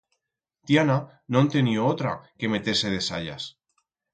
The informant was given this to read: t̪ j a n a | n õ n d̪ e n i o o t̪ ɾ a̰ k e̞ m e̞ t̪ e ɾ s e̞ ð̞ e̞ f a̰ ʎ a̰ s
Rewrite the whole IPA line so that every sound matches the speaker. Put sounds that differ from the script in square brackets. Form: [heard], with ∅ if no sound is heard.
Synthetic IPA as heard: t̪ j a n a | n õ n [t̪] e n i o o t̪ ɾ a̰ k e̞ m e̞ t̪ e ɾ s e̞ ð̞ e̞ [s] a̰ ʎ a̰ s